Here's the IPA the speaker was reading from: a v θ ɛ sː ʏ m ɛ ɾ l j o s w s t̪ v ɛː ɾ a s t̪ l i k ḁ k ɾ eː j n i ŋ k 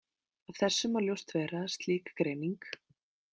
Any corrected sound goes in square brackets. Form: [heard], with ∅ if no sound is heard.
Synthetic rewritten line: a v θ ɛ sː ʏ m [a] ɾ l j o [∅] w s t̪ v ɛː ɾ a s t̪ l [iː] k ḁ k ɾ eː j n i ŋ k